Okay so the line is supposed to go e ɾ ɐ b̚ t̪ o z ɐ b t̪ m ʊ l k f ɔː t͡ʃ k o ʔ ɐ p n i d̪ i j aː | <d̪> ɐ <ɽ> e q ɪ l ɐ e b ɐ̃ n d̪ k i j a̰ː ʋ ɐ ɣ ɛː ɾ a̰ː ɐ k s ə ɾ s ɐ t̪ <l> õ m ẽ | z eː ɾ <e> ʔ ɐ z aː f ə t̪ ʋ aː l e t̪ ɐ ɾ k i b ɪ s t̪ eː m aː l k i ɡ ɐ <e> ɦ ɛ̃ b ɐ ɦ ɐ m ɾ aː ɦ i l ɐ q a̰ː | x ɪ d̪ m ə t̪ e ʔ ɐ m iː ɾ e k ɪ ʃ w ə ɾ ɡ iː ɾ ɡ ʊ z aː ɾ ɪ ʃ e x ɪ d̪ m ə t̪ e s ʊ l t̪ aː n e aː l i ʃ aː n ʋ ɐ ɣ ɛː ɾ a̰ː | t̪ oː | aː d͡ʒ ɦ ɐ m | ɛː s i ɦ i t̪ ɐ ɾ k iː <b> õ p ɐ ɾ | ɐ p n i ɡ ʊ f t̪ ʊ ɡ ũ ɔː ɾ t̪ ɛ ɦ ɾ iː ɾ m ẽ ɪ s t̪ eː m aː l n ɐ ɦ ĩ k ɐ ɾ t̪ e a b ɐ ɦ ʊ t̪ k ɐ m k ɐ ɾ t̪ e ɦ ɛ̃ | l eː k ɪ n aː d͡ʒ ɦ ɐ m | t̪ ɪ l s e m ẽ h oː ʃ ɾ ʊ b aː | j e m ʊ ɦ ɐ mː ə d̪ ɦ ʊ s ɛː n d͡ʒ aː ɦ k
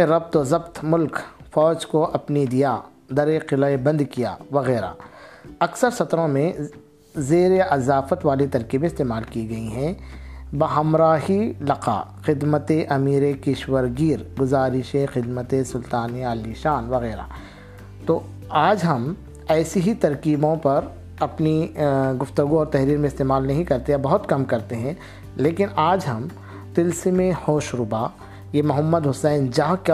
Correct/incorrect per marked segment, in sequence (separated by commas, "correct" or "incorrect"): correct, incorrect, incorrect, correct, incorrect, correct